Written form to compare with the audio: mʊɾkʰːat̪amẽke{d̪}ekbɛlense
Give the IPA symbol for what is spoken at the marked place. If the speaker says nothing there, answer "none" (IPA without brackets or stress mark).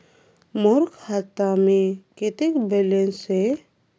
t̪